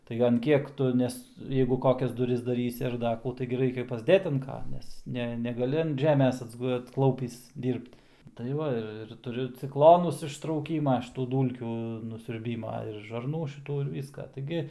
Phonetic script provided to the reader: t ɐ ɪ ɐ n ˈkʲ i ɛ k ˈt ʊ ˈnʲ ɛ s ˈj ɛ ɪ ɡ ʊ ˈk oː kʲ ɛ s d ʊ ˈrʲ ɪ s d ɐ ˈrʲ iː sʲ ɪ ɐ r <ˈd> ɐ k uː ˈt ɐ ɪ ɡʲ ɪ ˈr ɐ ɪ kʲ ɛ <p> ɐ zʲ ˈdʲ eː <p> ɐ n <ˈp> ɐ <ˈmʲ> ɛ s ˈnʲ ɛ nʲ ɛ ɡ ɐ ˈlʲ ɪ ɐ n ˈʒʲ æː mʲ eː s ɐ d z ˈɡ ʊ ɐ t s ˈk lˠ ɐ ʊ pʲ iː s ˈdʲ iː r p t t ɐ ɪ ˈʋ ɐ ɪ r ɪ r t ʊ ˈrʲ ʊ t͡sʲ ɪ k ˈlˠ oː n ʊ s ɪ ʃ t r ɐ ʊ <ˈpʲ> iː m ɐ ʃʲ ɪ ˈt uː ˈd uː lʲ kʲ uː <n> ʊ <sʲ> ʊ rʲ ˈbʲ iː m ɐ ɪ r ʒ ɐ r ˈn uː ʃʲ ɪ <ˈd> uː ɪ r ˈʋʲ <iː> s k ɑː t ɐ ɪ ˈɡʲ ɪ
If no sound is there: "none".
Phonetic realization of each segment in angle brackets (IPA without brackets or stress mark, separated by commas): d, p, t, k, nʲ, kʲ, n, sʲ, t, iː